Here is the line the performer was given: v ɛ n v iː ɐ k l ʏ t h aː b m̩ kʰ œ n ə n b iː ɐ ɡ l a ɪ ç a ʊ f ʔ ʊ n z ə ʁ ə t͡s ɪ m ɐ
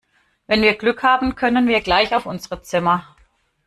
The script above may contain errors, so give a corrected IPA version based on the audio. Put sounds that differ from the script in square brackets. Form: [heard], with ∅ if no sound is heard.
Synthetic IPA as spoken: v ɛ n v iː ɐ [ɡ] l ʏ [k] h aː b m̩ kʰ œ n ə n [v] iː ɐ ɡ l a ɪ ç a ʊ f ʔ ʊ n z ə ʁ ə t͡s ɪ m ɐ